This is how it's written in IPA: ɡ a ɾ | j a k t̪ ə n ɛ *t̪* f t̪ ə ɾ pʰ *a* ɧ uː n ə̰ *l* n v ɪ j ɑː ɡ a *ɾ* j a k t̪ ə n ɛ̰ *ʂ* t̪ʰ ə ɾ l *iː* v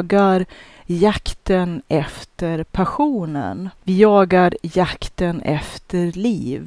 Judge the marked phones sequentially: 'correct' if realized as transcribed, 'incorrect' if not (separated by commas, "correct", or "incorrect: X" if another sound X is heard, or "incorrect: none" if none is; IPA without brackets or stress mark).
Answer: incorrect: none, correct, incorrect: none, correct, incorrect: f, correct